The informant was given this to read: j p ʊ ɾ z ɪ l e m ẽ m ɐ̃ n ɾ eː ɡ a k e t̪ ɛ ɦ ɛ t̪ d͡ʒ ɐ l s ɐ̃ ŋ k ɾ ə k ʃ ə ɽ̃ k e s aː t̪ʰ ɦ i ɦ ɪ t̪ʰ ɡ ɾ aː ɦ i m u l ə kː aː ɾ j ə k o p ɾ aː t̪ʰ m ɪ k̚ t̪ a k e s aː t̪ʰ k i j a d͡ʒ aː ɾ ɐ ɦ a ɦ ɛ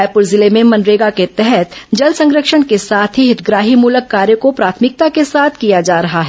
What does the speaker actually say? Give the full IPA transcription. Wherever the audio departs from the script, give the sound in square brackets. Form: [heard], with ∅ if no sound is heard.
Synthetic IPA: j p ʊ ɾ z ɪ l e m ẽ m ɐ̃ n ɾ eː ɡ a k e t̪ ɛ ɦ ɛ t̪ d͡ʒ ɐ l s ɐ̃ ŋ [ɡ] ɾ ə k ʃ ə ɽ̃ k e s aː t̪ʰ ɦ i ɦ ɪ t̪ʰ ɡ ɾ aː ɦ i m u l ə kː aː ɾ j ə k o p ɾ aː t̪ʰ m ɪ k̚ t̪ a k e s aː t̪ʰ k i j a d͡ʒ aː ɾ ɐ ɦ a ɦ ɛ

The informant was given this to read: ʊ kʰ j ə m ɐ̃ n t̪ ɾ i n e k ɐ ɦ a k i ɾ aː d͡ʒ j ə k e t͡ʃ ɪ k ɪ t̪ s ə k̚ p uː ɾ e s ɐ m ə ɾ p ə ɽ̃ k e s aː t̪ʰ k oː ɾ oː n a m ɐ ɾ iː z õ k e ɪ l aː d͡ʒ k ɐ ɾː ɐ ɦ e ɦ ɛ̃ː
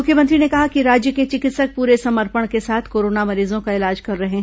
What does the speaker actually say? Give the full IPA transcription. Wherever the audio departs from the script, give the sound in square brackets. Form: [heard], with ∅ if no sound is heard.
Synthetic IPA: ʊ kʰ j ə m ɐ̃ n t̪ ɾ i n e k ɐ ɦ a k i ɾ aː d͡ʒ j ə k e t͡ʃ ɪ k ɪ t̪ s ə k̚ p uː ɾ e s ɐ m ə ɾ p ə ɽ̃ k e s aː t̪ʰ k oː ɾ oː n a m ɐ ɾ iː z õ k [a] ɪ l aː d͡ʒ k ɐ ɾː ɐ ɦ e ɦ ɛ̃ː

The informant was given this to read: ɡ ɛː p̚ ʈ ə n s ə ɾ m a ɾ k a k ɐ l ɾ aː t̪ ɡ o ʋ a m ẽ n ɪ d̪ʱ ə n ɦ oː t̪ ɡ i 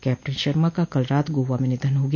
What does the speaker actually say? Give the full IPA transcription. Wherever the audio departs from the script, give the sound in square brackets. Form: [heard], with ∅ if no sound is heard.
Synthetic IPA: [k] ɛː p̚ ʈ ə n [ʃ] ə ɾ m a [∅] k a k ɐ l ɾ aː t̪ ɡ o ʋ a m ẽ n ɪ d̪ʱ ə n ɦ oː [∅] ɡ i

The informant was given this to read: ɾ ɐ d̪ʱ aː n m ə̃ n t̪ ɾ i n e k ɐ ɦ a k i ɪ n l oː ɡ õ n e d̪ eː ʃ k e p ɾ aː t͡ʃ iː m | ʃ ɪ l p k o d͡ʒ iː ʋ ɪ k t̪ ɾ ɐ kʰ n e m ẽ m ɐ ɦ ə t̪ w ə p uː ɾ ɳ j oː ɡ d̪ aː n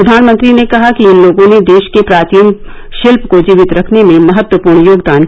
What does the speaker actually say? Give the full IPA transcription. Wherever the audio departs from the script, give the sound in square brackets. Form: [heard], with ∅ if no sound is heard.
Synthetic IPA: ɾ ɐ d̪ʱ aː n m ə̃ n t̪ ɾ i n e k ɐ ɦ a k i ɪ n l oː ɡ õ n e d̪ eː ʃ k e p ɾ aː t͡ʃ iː m | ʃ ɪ l p k o d͡ʒ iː ʋ ɪ [∅] t̪ ɾ ɐ kʰ n e m ẽ m ɐ ɦ ə t̪ w ə p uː ɾ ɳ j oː ɡ d̪ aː n

